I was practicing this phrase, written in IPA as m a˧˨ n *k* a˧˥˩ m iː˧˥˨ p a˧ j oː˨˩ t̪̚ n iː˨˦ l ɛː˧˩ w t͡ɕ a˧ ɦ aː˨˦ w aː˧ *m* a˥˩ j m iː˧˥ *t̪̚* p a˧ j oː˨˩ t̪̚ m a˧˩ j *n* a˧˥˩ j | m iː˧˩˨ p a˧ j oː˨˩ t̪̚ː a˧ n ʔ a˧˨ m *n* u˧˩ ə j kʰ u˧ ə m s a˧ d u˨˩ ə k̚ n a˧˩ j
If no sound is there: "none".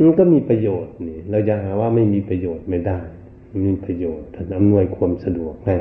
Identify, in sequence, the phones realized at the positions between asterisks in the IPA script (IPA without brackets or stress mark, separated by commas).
k, m, none, d, n